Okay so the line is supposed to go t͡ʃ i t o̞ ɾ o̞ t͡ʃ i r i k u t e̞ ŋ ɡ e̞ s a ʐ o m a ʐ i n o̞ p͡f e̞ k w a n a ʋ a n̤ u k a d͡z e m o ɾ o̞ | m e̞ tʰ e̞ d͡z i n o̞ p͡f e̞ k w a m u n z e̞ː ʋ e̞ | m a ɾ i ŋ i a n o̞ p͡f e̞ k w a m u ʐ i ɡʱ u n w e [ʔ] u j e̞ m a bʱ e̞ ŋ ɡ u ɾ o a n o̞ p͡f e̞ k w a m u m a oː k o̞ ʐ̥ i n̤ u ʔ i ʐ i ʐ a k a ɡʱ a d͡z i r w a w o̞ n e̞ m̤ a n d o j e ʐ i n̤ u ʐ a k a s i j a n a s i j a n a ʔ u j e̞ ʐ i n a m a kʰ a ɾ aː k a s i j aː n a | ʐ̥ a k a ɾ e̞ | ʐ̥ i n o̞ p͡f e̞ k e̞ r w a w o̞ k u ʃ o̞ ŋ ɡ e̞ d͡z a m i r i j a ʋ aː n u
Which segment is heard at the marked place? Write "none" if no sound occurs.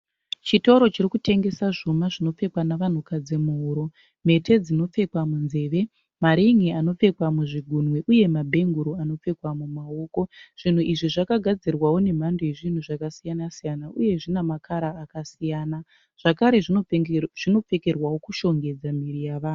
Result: ʔ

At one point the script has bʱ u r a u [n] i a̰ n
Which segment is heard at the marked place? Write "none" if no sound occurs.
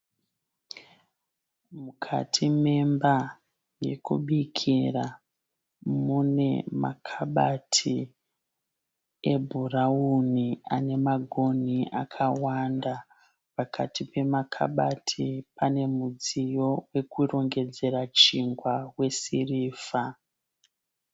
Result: n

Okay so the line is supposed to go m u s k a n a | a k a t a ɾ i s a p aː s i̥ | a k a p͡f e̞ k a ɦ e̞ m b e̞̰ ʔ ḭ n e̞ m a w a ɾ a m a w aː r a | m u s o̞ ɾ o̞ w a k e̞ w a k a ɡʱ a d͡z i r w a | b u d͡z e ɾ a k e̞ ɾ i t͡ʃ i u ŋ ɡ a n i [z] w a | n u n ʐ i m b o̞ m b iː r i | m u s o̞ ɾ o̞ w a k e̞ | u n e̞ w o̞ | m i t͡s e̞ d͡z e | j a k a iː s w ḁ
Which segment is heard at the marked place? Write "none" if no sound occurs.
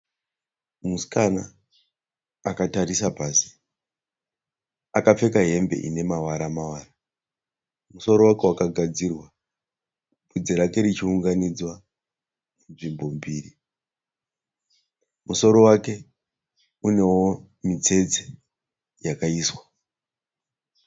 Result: d͡z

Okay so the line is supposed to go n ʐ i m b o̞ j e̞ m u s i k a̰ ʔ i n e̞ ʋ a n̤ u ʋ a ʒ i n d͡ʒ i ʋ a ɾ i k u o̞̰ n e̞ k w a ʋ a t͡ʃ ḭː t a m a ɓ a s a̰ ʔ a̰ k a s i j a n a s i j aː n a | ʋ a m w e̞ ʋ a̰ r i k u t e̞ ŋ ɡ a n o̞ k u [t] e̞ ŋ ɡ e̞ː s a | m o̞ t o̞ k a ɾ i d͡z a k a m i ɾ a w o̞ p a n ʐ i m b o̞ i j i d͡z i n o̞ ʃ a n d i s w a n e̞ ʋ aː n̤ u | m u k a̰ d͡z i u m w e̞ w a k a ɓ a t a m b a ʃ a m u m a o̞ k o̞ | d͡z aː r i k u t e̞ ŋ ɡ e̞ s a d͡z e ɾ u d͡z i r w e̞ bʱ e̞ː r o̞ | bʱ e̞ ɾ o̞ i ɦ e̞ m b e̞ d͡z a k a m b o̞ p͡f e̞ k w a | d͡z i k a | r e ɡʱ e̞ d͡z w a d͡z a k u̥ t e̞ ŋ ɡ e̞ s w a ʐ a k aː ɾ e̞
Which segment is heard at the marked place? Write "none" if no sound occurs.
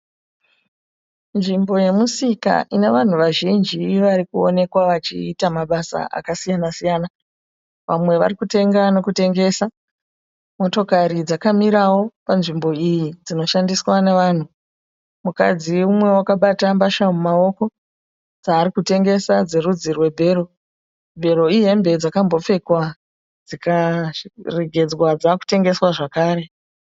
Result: t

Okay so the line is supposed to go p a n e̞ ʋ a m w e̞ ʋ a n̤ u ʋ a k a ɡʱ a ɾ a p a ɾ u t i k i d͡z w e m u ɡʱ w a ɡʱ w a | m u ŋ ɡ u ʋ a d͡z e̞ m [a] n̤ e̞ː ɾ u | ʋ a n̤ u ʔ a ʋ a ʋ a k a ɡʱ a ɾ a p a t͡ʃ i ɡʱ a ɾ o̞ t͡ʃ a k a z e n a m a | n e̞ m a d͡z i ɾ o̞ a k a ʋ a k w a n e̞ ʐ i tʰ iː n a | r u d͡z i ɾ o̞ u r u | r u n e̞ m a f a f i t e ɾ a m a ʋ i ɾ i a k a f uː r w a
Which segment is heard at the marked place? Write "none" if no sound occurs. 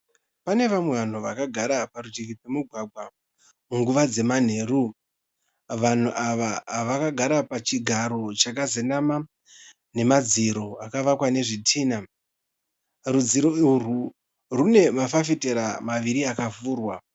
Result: a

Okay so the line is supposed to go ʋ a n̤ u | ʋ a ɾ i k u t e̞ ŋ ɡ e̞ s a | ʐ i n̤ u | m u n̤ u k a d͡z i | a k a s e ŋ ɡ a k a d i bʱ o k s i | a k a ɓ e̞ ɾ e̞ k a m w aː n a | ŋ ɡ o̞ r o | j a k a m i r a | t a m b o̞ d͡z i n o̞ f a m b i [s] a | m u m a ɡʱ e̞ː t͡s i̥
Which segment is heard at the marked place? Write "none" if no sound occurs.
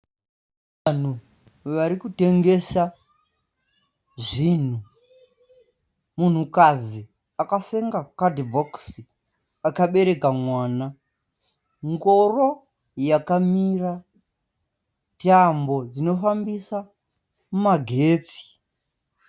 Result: s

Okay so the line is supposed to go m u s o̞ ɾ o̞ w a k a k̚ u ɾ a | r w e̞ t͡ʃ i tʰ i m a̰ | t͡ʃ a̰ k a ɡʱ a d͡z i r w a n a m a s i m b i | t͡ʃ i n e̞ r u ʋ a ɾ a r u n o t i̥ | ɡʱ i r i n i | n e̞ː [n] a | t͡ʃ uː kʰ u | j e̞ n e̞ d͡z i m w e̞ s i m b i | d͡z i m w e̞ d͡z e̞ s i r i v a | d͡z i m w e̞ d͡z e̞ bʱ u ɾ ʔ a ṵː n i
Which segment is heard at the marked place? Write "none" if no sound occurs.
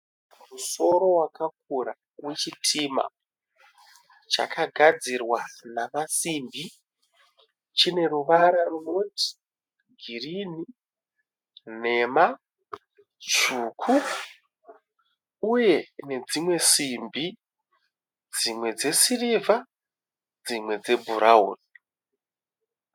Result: m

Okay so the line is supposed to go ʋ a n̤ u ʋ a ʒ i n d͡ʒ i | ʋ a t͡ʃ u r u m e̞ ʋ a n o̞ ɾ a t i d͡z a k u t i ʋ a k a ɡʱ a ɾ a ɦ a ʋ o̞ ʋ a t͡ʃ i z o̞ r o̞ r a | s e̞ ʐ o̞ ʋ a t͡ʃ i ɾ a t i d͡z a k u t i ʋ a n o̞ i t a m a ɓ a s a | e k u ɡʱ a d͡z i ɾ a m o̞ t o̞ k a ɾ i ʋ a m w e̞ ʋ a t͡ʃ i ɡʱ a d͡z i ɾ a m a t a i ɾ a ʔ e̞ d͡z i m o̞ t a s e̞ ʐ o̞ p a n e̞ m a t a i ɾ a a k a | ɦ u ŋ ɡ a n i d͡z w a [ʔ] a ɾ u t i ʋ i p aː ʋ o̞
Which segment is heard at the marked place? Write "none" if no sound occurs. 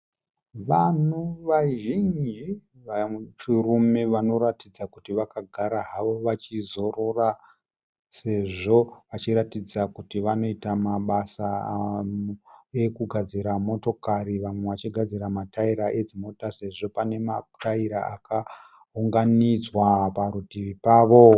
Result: p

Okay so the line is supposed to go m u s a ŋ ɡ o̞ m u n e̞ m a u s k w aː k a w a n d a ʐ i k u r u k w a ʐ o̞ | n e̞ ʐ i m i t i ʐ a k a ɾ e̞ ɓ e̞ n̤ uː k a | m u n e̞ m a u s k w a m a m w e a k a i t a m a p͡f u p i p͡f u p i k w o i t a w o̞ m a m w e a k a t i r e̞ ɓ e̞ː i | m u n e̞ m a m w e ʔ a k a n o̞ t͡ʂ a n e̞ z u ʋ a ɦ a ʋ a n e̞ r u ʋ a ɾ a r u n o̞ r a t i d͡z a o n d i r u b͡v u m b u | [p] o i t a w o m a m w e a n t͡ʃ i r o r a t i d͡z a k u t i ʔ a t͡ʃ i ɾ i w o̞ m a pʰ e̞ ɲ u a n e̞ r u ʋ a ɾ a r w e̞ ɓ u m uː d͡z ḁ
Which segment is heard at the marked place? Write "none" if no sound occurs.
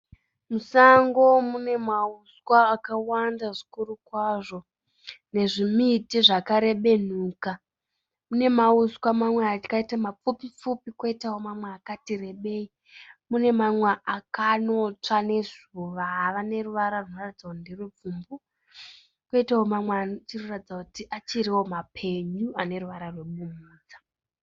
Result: k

